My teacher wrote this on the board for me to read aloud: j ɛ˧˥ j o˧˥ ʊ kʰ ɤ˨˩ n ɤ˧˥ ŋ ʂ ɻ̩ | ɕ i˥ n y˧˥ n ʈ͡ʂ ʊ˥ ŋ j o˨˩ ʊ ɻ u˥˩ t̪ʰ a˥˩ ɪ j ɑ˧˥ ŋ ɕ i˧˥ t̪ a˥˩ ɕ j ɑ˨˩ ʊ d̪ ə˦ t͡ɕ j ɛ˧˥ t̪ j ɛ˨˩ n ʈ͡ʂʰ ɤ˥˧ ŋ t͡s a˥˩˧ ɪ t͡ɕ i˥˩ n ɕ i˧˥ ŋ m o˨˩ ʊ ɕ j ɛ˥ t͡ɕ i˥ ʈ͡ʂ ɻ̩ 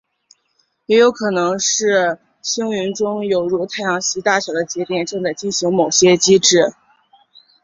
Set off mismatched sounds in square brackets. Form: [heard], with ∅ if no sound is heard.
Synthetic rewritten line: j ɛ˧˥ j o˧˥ ʊ kʰ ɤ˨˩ n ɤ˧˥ ŋ ʂ ɻ̩ | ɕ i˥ [ŋ] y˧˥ n ʈ͡ʂ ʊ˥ ŋ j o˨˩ ʊ ɻ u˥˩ t̪ʰ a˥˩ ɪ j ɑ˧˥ ŋ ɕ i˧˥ t̪ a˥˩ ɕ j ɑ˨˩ ʊ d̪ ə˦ t͡ɕ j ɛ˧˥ t̪ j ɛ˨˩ n [ʈ͡ʂ] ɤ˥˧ ŋ t͡s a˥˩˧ ɪ t͡ɕ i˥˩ n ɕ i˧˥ ŋ m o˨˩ ʊ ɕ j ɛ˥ t͡ɕ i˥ ʈ͡ʂ ɻ̩